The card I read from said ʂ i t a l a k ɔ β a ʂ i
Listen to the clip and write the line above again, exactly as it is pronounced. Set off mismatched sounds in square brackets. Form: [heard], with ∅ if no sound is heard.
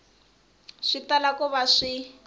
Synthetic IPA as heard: ʂ i t a l a k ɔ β a ʂ i